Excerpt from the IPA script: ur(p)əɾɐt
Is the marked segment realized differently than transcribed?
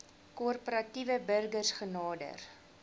no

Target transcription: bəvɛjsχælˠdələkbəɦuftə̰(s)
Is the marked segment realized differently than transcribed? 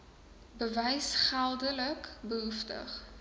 yes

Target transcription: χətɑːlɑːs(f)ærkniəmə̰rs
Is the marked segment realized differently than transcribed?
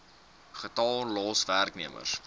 yes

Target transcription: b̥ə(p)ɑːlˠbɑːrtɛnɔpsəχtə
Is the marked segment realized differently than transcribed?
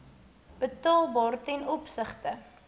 yes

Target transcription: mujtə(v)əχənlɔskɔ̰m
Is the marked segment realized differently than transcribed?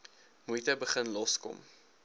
yes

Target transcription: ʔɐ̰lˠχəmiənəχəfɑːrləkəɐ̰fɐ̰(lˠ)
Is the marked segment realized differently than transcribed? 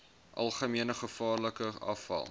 no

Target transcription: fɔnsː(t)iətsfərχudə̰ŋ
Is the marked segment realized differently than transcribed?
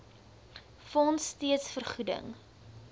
no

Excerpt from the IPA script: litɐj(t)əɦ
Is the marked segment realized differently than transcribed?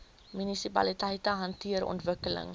no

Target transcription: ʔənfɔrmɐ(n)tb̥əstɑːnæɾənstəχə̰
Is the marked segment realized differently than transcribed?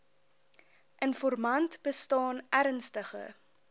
no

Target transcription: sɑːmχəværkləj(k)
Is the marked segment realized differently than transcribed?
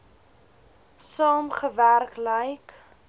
no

